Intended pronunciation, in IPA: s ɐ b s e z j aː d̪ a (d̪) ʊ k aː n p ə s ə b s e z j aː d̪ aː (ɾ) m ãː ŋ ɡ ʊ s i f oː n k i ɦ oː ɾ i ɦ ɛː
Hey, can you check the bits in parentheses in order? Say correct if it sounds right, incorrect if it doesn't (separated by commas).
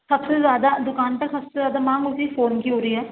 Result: correct, incorrect